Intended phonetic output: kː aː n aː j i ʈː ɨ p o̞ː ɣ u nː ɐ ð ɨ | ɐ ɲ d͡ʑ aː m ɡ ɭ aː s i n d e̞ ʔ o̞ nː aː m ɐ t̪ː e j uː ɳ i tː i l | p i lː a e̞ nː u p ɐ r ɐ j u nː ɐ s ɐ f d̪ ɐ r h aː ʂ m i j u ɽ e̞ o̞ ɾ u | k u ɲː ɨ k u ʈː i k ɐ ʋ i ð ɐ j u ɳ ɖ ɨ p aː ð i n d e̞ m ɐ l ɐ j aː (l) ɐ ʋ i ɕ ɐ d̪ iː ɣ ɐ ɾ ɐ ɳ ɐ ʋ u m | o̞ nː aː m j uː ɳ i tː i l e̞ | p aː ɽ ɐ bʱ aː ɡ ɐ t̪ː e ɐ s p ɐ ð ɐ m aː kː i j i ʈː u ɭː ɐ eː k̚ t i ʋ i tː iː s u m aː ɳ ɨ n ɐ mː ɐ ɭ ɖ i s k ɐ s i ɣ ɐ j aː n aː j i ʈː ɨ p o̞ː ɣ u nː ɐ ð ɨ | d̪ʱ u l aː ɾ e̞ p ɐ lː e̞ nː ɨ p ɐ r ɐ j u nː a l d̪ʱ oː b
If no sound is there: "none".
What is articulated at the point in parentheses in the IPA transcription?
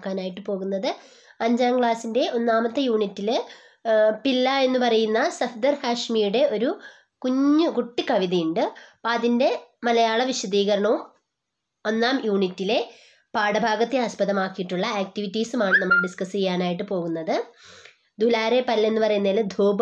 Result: ɭ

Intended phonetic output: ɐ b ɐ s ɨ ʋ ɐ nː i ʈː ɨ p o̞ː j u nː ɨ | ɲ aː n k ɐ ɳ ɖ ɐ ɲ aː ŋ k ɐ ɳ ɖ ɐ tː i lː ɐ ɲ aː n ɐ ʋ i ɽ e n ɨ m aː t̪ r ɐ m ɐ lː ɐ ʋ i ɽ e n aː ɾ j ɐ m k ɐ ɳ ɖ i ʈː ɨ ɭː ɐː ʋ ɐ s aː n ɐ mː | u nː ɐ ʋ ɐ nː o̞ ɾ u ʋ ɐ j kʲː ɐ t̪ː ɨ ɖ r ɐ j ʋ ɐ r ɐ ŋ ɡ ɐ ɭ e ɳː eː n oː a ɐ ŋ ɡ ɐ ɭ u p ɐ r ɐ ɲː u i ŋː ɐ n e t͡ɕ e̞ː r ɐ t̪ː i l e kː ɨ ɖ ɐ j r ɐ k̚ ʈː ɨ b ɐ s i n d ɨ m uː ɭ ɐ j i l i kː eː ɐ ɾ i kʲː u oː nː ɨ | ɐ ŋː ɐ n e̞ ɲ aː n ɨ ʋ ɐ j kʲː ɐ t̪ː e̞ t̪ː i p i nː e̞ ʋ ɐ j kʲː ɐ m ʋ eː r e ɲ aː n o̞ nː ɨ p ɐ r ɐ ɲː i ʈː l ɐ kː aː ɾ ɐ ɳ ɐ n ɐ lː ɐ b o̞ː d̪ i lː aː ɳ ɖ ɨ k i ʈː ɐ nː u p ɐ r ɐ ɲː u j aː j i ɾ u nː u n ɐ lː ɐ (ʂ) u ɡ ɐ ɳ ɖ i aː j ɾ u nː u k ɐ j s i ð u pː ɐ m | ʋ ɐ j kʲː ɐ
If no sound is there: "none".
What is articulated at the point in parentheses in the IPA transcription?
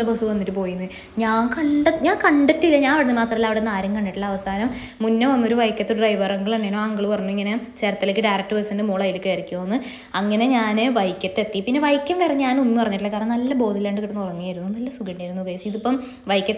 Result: s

